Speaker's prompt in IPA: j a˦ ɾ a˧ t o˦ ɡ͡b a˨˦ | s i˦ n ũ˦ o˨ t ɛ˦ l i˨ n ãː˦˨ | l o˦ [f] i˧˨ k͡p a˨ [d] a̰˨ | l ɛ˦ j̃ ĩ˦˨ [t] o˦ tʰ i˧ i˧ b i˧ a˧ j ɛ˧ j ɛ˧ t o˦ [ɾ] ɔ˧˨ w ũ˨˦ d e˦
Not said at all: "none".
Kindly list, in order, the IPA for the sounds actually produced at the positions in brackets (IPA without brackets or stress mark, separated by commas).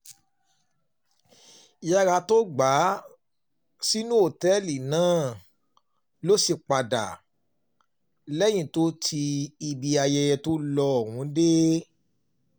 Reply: s, d, t, l